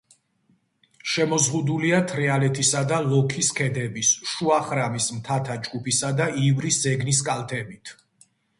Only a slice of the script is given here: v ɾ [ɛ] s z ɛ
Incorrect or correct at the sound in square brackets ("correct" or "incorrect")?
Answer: incorrect